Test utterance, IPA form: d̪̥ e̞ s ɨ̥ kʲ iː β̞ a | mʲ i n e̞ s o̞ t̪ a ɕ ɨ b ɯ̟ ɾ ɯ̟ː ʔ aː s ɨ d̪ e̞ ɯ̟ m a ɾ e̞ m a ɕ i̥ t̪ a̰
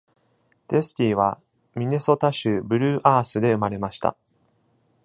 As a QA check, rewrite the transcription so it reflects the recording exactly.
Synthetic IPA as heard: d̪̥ e̞ s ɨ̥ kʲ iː β̞ a | mʲ i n e̞ s o̞ t̪ a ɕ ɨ b ɯ̟ ɾ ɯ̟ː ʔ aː s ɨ d̪ e̞ ɯ̟ m a ɾ e̞ m a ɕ i̥ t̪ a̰

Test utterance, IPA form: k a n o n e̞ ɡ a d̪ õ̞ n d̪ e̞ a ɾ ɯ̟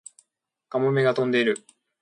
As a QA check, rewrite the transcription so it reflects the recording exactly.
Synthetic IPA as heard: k a m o m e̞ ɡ a t̪ õ̞ n d̪ e̞ i ɾ ɯ̟

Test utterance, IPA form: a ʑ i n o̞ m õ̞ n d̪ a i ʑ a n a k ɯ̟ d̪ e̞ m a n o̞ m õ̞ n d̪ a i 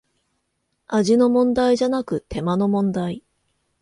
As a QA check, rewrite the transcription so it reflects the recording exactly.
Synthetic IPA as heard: a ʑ i n o̞ m õ̞ n d̪ a i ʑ a n a k ɯ̟ t̪ e̞ m a n o̞ m õ̞ n d̪ a i

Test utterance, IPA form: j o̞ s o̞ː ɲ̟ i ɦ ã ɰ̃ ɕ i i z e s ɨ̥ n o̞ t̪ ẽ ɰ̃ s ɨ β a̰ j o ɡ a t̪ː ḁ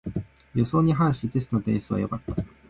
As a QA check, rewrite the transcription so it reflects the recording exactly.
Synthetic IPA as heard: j o̞ s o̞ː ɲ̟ i ɦ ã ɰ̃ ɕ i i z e s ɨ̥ n o̞ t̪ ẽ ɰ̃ s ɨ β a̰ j o k a t̪ː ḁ

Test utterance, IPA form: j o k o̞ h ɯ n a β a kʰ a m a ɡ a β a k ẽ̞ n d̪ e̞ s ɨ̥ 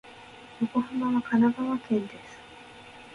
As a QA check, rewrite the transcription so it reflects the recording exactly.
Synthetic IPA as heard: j o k o̞ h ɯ m a β a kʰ a n a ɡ a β a k ẽ̞ n d̪ e̞ s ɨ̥

